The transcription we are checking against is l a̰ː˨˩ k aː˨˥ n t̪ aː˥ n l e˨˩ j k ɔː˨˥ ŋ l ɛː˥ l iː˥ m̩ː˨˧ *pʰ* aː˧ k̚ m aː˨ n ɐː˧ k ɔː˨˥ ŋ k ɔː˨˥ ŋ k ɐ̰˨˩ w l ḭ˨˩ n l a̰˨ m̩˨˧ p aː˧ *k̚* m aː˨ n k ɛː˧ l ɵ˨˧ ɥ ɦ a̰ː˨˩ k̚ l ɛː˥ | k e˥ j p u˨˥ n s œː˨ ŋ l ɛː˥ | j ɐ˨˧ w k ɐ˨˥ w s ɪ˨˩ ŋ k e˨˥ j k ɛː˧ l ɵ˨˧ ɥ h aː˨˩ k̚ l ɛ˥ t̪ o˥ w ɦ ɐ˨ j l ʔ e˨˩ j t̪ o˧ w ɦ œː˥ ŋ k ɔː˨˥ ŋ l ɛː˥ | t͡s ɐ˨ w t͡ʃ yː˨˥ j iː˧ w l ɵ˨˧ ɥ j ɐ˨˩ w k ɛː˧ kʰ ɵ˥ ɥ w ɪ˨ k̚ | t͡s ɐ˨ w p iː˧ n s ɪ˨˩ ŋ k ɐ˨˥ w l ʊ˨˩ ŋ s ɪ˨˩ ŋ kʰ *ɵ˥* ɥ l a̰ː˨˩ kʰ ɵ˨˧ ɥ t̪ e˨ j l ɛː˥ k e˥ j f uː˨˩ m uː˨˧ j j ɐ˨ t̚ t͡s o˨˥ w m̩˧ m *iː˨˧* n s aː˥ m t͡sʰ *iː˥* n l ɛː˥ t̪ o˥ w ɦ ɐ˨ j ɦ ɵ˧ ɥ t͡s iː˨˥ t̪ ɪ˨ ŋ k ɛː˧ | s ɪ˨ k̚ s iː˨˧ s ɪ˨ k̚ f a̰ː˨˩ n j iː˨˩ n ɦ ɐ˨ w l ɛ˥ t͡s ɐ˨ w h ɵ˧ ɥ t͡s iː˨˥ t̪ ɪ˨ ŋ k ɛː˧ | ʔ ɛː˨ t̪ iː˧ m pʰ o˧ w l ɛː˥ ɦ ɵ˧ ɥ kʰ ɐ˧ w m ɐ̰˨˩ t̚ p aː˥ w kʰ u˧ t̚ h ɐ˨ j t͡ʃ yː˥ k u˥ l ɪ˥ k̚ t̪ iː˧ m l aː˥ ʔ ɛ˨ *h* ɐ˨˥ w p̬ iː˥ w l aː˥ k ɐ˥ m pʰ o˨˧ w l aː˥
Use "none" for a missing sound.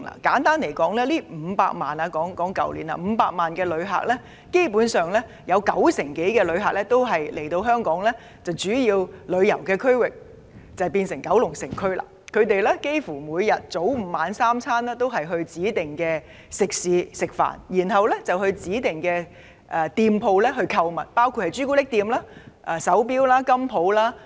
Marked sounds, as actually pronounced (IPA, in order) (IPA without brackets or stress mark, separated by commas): p, k̚, ɵ˥, aː˨˧, aː˥, s